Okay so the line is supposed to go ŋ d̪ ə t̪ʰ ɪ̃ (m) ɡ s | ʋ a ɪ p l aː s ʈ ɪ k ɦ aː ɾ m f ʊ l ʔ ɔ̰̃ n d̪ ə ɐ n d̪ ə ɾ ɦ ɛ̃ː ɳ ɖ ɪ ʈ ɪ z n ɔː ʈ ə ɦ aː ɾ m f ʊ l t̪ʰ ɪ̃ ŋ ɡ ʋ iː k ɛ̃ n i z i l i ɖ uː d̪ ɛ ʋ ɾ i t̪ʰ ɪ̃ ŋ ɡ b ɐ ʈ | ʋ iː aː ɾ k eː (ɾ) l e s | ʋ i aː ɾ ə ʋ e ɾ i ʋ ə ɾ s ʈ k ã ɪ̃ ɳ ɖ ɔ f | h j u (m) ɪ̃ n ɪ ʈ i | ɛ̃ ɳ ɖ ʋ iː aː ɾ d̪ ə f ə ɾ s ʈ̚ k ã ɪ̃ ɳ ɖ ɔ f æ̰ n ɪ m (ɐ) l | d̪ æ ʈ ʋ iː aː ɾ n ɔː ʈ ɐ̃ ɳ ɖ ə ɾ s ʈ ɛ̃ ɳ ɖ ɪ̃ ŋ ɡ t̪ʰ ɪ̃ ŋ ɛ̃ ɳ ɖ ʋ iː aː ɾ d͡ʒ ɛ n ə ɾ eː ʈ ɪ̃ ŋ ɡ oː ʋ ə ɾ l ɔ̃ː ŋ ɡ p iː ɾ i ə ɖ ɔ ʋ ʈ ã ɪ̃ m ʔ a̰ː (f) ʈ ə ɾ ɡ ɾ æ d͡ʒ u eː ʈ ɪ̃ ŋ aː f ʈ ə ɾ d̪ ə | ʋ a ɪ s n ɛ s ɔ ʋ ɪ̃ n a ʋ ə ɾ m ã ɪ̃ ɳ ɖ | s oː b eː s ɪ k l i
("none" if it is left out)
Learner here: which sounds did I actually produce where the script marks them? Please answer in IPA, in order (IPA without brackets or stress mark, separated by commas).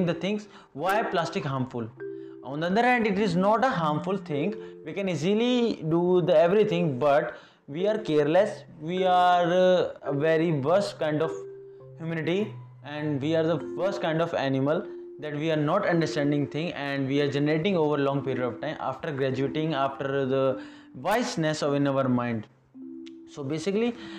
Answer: ŋ, ɾ, m, ə, f